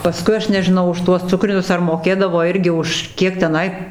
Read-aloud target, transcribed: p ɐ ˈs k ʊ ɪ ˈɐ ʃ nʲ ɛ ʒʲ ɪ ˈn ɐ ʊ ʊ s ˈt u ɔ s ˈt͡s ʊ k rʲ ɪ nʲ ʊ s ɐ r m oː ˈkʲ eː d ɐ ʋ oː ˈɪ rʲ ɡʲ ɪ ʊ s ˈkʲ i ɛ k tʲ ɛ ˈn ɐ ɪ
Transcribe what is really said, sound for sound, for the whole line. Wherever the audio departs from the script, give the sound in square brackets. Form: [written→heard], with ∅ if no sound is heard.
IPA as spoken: p ɐ ˈs k ʊ ɪ ˈɐ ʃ nʲ ɛ ʒʲ ɪ ˈn ɐ ʊ ʊ [s→ʃ] ˈt u ɔ s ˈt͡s ʊ k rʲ ɪ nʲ ʊ s ɐ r m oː ˈkʲ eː d ɐ ʋ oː ˈɪ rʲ ɡʲ ɪ ʊ [s→ʃ] ˈkʲ i ɛ k tʲ ɛ ˈn ɐ ɪ